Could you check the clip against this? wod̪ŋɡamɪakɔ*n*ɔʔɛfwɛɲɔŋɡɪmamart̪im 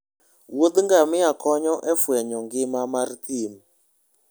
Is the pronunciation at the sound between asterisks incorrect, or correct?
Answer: incorrect